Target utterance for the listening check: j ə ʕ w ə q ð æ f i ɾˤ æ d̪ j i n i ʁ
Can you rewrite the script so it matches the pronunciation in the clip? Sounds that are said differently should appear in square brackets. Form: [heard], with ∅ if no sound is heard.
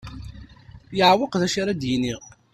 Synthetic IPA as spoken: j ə ʕ w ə q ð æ [ʃ] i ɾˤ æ d̪ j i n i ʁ